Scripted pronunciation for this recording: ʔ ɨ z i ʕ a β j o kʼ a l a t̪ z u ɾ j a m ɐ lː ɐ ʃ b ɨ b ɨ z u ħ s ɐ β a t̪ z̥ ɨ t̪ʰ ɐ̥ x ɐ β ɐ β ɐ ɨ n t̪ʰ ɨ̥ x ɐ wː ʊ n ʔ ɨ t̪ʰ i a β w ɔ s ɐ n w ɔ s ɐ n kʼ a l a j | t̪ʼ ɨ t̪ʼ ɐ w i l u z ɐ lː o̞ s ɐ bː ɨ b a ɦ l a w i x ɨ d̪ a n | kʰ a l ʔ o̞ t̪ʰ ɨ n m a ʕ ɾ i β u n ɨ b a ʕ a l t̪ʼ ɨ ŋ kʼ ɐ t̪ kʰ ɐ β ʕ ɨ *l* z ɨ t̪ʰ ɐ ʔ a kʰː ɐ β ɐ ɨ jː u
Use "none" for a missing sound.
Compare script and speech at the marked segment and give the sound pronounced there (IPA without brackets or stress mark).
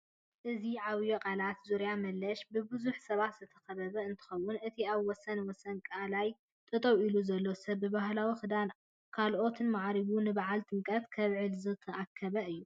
l